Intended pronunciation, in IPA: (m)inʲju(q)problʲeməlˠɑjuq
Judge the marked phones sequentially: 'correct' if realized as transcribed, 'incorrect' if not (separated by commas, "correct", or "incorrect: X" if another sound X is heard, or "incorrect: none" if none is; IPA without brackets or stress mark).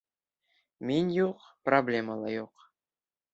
correct, correct